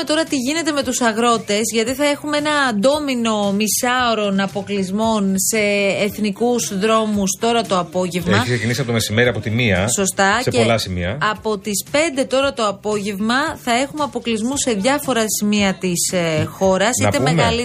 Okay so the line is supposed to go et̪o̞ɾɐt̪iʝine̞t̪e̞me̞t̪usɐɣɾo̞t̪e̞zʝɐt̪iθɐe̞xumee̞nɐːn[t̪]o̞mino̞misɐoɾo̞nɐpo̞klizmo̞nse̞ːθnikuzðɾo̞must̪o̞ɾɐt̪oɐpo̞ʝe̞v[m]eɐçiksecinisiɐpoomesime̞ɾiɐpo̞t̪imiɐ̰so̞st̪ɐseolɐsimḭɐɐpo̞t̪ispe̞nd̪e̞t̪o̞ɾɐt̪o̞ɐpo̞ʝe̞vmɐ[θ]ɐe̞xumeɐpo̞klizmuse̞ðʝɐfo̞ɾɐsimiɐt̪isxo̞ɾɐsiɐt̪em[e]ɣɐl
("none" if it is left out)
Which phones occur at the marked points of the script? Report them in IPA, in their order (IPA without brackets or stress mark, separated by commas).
d̪, m, θ, e